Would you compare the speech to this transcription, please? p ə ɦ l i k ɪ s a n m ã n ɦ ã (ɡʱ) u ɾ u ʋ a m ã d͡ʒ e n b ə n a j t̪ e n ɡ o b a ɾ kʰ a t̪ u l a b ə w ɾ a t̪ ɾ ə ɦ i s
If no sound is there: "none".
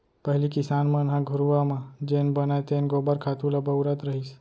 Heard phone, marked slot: ɡʱ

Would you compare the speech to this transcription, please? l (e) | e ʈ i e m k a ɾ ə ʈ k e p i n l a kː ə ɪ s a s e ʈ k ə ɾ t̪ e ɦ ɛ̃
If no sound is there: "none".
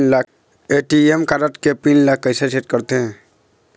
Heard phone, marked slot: a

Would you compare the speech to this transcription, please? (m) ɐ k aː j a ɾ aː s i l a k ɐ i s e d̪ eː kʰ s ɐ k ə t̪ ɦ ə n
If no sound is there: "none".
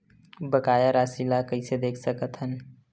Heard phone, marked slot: b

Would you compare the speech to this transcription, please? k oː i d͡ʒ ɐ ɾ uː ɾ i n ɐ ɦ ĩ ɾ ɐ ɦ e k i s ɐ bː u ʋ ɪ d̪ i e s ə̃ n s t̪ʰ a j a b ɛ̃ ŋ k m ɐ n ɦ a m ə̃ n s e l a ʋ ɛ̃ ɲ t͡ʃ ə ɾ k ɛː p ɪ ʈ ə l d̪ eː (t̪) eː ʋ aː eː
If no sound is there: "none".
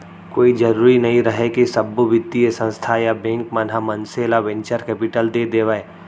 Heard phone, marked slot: d̪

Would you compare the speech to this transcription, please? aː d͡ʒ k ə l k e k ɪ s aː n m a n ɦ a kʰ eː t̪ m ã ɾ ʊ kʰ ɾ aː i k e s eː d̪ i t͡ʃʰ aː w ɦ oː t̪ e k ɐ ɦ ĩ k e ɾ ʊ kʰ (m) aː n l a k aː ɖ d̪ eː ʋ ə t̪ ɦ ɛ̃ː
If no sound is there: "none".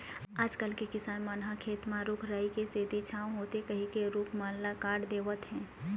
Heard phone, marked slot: m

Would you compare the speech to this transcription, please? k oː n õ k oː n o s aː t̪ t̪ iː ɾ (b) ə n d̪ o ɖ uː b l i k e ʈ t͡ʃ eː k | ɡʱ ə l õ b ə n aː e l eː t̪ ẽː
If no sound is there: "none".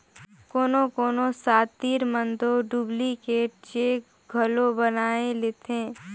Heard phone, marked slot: m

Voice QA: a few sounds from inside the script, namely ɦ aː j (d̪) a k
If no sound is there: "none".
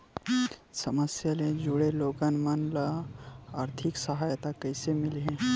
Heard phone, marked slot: t̪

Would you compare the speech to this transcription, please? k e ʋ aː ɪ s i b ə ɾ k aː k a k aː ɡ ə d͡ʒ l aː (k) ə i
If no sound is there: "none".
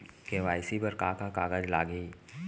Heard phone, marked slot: ɡ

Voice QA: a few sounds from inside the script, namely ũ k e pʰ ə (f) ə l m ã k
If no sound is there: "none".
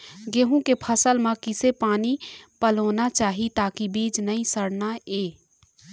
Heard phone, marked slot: s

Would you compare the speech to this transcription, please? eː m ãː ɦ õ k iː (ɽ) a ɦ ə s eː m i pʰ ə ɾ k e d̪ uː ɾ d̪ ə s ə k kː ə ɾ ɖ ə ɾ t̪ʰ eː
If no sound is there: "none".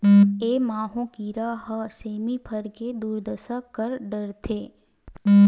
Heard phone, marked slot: ɾ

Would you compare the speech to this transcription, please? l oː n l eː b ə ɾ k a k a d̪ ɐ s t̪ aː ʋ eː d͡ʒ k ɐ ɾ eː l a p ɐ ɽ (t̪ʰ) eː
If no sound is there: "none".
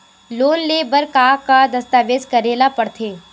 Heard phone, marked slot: t̪ʰ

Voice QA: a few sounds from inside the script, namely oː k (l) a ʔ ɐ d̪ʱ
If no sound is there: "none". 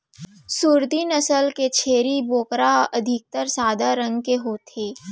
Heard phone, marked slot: ɾ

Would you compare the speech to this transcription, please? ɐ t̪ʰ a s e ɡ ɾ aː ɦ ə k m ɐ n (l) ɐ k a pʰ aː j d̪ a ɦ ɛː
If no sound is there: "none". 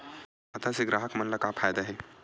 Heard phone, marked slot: l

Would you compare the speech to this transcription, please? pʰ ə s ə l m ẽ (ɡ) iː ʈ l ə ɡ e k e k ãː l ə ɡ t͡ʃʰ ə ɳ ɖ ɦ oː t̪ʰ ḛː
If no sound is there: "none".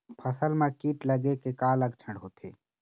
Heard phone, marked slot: k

